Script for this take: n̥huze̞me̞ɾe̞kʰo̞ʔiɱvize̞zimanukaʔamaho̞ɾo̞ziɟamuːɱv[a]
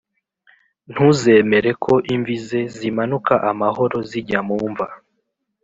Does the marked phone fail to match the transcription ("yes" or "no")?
no